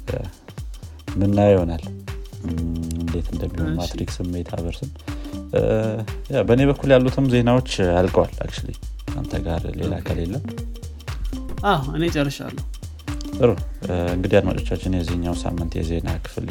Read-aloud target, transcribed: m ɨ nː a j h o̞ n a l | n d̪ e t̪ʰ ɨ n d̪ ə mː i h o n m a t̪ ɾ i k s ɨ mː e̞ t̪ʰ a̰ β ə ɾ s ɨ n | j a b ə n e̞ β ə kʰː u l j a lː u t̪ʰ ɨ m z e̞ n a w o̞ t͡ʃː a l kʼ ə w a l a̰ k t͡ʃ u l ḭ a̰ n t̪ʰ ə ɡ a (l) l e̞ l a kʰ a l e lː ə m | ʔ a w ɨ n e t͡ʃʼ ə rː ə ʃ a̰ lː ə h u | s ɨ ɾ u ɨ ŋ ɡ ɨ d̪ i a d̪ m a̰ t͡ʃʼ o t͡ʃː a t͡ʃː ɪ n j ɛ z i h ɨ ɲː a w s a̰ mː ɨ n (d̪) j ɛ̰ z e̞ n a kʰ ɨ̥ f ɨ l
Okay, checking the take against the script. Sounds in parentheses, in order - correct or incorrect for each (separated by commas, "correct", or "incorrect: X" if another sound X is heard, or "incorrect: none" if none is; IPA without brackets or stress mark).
incorrect: ɾ, incorrect: t̪